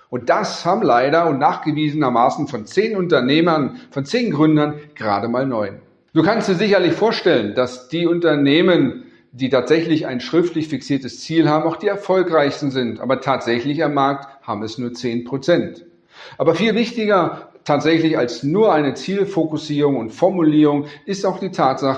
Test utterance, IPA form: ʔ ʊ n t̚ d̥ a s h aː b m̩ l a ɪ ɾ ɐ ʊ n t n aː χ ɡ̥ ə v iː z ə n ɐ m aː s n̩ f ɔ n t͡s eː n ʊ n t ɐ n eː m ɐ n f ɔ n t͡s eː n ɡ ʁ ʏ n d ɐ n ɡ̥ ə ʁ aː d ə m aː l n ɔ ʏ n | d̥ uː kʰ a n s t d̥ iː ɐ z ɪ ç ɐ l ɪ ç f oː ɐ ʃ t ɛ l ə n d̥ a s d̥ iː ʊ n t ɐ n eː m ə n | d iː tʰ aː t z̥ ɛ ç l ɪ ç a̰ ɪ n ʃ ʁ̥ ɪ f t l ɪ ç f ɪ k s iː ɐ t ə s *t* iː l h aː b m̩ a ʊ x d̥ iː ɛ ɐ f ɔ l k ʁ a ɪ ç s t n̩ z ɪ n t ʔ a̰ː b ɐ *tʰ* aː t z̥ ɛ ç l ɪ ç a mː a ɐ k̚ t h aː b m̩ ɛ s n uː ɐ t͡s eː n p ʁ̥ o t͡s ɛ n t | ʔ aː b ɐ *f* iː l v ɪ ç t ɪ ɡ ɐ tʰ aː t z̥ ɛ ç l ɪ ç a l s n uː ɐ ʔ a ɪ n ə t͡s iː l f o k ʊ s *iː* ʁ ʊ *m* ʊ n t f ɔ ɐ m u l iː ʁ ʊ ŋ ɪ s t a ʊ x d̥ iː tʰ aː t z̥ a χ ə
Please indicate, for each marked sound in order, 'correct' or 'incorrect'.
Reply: incorrect: t͡s, correct, correct, correct, incorrect: ŋ

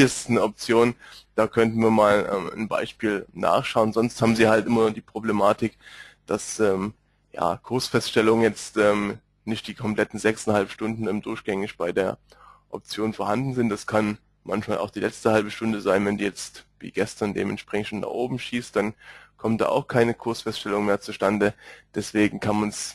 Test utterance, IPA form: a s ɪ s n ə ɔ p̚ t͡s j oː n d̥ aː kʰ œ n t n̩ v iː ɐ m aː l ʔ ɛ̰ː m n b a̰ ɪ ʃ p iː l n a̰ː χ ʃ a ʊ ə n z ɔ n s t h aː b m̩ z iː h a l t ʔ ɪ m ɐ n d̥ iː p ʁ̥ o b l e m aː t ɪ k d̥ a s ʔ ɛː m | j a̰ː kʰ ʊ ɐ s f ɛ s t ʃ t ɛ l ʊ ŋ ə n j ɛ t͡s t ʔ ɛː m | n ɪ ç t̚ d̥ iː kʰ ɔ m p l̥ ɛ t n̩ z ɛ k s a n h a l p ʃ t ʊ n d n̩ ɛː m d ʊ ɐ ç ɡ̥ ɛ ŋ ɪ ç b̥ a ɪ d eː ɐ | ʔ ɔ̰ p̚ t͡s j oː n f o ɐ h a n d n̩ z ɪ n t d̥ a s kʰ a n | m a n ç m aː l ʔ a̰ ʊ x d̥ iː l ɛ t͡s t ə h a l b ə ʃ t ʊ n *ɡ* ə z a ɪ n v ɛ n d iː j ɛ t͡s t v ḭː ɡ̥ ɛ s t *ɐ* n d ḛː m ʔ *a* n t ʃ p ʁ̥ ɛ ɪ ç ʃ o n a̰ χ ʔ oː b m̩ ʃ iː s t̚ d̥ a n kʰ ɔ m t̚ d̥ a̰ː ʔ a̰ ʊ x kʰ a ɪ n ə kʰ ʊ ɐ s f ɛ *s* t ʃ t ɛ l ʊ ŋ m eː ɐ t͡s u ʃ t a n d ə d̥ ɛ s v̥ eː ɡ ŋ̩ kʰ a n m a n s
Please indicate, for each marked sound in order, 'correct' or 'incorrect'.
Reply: incorrect: d, correct, incorrect: ɛ, correct

